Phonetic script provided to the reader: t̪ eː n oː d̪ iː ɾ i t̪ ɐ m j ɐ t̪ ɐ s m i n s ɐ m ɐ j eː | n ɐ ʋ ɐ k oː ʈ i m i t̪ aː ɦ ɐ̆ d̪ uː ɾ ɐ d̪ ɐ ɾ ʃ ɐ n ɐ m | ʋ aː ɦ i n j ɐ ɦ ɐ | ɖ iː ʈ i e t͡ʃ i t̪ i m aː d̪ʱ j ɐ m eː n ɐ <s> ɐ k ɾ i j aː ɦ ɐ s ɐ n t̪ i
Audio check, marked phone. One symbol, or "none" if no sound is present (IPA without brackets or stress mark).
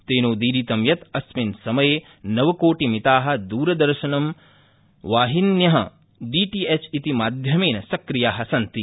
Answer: s